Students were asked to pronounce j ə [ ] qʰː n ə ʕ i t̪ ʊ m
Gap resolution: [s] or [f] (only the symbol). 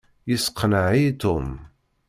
s